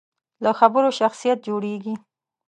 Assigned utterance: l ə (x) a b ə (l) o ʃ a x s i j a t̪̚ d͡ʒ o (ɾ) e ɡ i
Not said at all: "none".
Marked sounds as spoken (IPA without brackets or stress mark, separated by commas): x, ɾ, ɽ